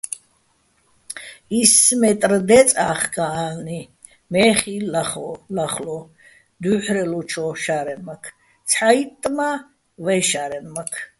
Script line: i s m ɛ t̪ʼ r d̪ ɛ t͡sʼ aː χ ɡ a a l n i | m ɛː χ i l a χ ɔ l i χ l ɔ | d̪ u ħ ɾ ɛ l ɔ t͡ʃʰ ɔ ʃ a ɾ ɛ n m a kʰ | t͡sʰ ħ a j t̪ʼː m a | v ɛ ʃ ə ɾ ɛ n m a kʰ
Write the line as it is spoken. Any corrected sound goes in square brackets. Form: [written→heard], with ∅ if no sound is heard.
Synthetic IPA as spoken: i s m ɛ t̪ʼ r d̪ ɛ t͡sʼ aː χ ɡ a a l n i | m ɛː χ i l a χ ɔ l [i→a] χ l ɔ | d̪ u ħ ɾ ɛ l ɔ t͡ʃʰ ɔ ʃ a ɾ ɛ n m a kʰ | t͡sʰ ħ a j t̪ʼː m a | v ɛ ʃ [ə→a] ɾ ɛ n m a kʰ